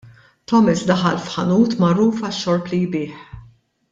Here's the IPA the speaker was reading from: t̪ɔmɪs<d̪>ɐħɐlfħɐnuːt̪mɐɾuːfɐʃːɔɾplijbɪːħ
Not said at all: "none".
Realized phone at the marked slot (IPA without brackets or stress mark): d̪